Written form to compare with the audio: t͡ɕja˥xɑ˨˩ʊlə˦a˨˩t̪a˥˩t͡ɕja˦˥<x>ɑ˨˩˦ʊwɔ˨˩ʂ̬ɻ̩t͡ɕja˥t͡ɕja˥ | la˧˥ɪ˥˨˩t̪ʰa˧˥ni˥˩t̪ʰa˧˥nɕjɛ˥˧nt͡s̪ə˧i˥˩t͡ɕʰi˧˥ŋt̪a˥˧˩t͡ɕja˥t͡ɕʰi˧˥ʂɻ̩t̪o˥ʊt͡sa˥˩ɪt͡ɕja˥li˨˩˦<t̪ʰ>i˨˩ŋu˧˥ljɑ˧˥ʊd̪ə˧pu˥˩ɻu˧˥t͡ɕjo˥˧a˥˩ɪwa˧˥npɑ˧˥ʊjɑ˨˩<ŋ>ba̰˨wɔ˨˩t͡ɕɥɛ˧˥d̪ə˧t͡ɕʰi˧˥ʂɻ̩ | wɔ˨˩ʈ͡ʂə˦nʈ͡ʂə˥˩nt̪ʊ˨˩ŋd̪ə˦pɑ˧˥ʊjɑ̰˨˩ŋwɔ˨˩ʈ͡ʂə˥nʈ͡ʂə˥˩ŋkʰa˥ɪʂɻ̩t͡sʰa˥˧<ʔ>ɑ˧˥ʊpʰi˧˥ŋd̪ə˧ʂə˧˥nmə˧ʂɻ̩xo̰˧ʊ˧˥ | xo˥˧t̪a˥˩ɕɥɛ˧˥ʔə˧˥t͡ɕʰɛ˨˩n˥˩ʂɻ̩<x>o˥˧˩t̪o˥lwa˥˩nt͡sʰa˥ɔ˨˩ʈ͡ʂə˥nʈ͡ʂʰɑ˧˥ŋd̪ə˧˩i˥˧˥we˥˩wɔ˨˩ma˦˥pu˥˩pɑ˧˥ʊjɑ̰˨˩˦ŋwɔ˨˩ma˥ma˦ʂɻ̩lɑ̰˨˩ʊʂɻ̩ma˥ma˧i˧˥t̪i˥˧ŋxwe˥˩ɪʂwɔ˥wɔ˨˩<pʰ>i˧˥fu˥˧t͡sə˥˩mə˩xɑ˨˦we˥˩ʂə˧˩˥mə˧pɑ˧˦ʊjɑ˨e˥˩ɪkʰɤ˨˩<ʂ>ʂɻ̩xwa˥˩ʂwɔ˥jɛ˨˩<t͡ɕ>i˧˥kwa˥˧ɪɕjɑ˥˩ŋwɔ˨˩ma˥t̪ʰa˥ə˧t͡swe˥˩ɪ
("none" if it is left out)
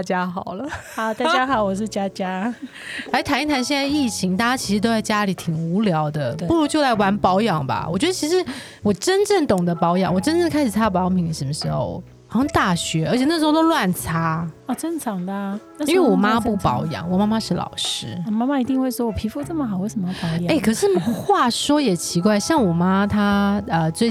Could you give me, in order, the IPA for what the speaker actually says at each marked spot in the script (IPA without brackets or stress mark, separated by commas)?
x, t̪ʰ, ŋ, p, x, pʰ, ʂ, t͡ɕʰ